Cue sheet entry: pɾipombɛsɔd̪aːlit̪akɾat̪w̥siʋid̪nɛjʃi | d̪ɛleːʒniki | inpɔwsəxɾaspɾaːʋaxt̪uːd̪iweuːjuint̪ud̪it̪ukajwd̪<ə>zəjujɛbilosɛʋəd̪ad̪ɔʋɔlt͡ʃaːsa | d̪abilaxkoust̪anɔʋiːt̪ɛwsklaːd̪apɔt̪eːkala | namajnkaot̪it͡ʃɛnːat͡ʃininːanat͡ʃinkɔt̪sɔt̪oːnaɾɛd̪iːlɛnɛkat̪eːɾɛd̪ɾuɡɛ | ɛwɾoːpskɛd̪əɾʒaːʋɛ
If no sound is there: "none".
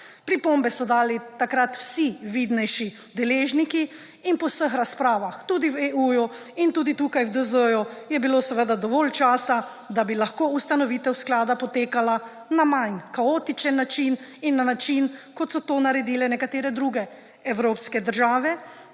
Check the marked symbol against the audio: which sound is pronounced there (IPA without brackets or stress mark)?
ə